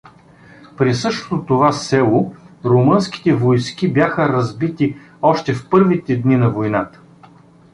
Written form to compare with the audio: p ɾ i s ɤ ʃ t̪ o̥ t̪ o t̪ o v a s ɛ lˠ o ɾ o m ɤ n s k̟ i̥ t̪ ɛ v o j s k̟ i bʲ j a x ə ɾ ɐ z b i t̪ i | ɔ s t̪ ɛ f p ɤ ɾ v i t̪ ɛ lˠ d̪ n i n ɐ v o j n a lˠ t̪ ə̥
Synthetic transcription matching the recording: p ɾ i s ɤ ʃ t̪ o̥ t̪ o t̪ o v a s ɛ lˠ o ɾ o m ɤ n s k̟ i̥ t̪ ɛ v o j s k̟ i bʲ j a x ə ɾ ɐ z b i t̪ i | ɔ ʃ t̪ ɛ f p ɤ ɾ v i t̪ ɛ d̪ n i n ɐ v o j n a t̪ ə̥